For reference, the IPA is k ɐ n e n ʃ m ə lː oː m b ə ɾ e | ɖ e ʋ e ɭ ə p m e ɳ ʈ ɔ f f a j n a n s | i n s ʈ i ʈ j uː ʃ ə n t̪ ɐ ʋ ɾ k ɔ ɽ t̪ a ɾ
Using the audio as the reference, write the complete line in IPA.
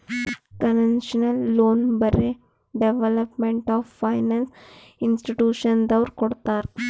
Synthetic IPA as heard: k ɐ n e n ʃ n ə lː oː n b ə ɾ e | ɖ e ʋ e l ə p m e ɳ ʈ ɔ f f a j n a n s | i n s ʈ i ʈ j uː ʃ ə n d̪ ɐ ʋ ɾ k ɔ ɽ t̪ a ɾ

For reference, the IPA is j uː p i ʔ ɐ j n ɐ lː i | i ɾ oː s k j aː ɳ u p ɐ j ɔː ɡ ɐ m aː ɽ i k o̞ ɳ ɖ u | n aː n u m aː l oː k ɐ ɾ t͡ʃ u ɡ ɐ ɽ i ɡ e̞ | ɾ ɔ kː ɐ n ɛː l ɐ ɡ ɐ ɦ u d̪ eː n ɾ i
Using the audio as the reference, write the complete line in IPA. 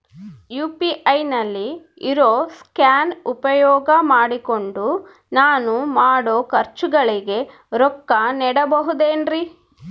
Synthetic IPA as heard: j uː p i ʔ ɐ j n ɐ lː i | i ɾ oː s k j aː n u p ɐ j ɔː ɡ ɐ m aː ɽ i k o̞ ɳ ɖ u | n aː n u m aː ɽ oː k ɐ ɾ t͡ʃ u ɡ ɐ ɭ i ɡ e̞ | ɾ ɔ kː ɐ n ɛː ɽ ɐ b ɐ ɦ u d̪ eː n ɾ i

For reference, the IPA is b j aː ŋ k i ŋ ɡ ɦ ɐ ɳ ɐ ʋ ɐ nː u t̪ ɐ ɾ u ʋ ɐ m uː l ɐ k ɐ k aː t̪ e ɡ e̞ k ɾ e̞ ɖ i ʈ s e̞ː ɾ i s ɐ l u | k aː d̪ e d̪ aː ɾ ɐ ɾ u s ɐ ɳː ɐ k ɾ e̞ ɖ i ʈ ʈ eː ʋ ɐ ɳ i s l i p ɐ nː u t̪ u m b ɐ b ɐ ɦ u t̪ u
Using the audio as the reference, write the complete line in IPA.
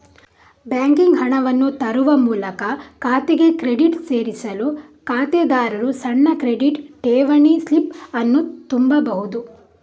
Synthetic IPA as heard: b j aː ŋ k i ŋ ɡ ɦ ɐ ɳ ɐ ʋ ɐ nː u t̪ ɐ ɾ u ʋ ɐ m uː l ɐ k ɐ k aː t̪ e ɡ e̞ k ɾ e̞ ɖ i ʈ s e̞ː ɾ i s ɐ l u | k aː t̪ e d̪ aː ɾ ɐ ɾ u s ɐ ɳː ɐ k ɾ e̞ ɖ i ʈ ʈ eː ʋ ɐ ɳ i s l i p ɐ nː u t̪ u m b ɐ b ɐ ɦ u d̪ u

